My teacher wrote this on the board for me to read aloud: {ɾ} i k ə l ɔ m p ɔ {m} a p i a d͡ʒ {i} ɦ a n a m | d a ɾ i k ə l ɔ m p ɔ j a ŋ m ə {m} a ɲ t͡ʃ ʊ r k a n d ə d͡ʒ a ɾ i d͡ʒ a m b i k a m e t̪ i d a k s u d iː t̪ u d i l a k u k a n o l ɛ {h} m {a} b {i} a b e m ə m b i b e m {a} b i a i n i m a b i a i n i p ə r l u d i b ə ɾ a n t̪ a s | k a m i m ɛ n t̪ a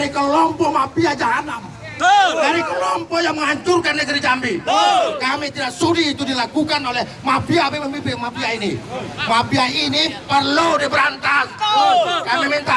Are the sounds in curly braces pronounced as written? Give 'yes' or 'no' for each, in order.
yes, yes, no, no, yes, yes, yes, yes

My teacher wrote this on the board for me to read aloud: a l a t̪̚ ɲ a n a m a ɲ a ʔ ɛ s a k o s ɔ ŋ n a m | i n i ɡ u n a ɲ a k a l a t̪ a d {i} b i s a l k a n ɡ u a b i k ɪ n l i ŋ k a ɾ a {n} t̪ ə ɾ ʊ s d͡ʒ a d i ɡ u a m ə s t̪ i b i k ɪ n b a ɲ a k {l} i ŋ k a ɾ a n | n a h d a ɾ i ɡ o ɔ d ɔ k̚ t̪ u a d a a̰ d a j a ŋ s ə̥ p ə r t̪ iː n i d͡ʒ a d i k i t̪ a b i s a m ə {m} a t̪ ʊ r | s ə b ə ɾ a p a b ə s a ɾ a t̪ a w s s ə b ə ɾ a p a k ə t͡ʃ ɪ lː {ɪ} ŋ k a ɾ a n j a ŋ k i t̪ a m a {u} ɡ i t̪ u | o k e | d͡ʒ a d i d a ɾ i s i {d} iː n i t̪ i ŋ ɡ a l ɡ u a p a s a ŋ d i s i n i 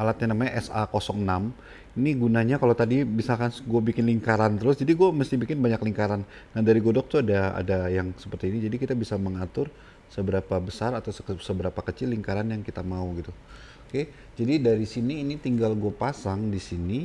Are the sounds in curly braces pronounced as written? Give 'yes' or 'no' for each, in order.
yes, yes, yes, no, no, yes, no

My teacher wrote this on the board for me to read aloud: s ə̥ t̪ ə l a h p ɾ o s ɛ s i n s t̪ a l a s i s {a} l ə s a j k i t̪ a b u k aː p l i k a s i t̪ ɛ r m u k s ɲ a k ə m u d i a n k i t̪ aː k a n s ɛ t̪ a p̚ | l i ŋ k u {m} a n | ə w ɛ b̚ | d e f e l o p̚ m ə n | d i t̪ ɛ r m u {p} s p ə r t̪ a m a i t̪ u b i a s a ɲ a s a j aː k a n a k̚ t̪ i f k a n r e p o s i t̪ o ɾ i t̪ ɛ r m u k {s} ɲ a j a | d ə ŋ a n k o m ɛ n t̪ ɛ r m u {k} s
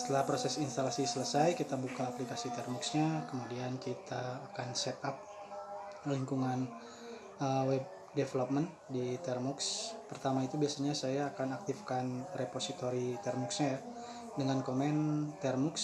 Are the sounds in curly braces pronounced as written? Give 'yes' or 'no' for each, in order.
no, no, no, yes, yes

